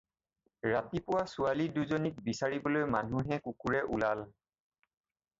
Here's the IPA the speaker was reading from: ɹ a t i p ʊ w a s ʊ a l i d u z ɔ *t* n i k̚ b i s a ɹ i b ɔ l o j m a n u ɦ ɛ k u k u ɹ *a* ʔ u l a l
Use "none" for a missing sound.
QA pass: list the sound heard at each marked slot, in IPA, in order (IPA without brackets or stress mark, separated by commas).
none, ɛ